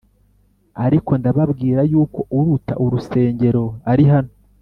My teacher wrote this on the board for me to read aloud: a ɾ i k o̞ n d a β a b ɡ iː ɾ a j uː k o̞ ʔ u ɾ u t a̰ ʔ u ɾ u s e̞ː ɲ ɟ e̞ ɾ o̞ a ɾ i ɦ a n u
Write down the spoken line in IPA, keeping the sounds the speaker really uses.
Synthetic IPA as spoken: a ɾ i k o̞ n d a β a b ɡ iː ɾ a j uː k o̞ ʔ u ɾ u t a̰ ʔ u ɾ u s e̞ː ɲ ɟ e̞ ɾ o̞ a ɾ i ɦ a n o